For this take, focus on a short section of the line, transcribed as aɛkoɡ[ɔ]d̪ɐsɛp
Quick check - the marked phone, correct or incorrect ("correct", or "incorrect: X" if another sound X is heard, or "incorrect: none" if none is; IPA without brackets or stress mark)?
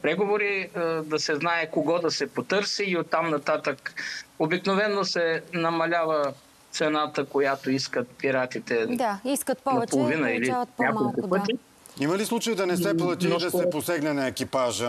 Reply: correct